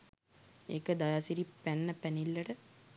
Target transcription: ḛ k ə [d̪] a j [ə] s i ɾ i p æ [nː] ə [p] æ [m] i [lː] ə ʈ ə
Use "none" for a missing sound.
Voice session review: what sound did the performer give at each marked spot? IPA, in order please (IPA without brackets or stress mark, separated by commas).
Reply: d̪, a, nː, p, n, lː